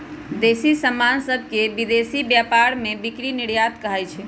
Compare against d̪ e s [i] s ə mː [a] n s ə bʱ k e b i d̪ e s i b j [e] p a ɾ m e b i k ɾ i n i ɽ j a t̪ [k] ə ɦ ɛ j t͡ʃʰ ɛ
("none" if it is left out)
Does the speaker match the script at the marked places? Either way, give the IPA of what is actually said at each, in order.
i, a, a, k

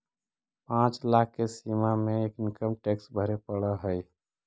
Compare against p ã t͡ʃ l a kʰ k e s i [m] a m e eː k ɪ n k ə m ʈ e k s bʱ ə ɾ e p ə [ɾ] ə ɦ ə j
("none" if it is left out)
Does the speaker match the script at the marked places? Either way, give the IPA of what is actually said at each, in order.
m, ɽ

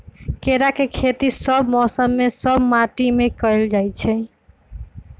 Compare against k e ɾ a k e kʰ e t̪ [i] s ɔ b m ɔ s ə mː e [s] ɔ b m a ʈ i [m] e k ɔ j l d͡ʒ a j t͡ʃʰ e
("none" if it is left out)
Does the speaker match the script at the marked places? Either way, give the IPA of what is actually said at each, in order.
i, s, m

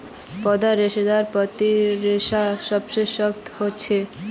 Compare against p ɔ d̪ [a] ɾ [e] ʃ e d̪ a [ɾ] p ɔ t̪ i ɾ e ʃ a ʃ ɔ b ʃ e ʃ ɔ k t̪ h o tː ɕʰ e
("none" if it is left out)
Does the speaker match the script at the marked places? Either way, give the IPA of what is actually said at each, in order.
a, e, ɾ

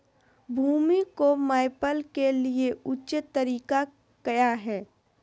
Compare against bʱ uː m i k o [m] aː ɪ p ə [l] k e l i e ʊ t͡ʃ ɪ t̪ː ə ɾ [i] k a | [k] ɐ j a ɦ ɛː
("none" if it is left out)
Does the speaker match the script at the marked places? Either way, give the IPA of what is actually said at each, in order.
m, l, iː, k

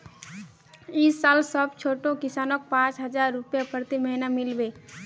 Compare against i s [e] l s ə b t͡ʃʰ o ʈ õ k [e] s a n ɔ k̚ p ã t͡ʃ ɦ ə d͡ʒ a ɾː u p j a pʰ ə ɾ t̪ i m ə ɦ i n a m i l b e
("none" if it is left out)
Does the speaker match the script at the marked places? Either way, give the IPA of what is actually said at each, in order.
a, i

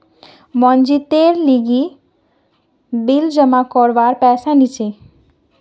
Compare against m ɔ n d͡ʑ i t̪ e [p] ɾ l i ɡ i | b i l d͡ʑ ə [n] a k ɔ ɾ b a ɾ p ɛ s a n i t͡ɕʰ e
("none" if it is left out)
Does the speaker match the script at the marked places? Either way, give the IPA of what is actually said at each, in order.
none, m

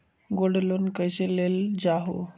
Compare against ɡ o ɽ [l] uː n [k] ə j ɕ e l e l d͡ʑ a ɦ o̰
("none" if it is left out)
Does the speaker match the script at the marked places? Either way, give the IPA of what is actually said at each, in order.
l, k

